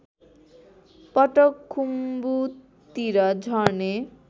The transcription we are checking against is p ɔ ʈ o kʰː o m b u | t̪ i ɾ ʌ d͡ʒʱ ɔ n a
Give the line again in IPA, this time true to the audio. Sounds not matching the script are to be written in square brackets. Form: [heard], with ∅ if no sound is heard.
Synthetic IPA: p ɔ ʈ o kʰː [u] m b u | t̪ i ɾ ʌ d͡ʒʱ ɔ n [e]